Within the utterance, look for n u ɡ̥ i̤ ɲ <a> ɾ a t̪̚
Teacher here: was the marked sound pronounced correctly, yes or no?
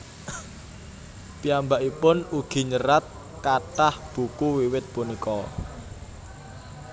no